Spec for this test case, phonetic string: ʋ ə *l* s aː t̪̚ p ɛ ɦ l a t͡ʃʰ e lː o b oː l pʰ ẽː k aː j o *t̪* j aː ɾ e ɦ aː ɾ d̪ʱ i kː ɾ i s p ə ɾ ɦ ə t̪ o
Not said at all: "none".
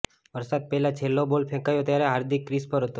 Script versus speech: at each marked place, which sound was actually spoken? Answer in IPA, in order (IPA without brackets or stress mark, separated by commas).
ɾ, t̪